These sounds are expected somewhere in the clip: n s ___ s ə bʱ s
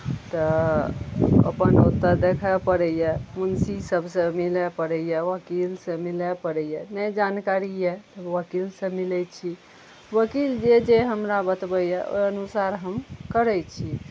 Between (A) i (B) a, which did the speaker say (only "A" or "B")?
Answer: A